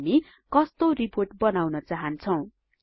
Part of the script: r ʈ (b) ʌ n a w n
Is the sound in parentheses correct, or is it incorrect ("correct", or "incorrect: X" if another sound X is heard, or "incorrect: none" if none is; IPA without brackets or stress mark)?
correct